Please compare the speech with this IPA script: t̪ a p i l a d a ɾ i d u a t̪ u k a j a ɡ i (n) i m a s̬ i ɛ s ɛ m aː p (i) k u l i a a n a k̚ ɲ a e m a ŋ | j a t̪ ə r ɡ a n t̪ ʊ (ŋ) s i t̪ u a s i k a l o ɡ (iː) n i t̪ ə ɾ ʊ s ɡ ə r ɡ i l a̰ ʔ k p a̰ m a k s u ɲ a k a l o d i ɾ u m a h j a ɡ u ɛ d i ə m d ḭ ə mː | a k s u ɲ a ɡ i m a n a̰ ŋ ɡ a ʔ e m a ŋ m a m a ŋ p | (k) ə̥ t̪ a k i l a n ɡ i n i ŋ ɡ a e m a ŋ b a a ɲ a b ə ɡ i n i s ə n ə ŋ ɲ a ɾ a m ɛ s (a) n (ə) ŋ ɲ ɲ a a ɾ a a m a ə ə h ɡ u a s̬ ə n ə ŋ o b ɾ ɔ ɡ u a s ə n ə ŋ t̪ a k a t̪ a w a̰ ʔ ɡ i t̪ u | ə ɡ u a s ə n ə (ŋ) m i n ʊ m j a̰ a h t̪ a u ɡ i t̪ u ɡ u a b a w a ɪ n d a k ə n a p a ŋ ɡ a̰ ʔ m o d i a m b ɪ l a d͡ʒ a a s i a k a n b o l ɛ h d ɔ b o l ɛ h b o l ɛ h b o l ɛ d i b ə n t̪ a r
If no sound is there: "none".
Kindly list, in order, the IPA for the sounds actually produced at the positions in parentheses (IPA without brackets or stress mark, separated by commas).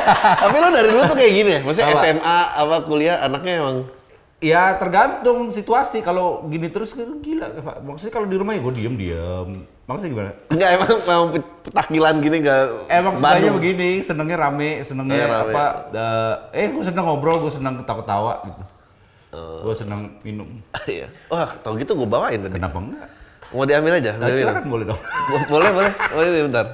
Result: n, a, ŋ, i, p, ə, ə, ŋ